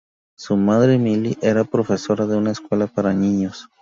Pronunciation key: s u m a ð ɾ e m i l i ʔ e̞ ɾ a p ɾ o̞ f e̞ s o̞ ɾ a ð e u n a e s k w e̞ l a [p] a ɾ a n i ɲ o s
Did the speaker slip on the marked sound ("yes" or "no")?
no